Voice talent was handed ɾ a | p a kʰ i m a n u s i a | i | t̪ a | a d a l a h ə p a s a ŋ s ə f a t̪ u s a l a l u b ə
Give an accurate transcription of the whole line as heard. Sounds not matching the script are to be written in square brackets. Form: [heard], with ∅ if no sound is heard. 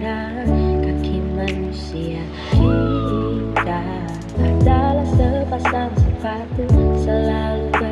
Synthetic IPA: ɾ a | [k] a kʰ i m a n u s i a | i | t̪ a | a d a l a [s] ə p a s a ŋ s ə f a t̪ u s [ə] l a l u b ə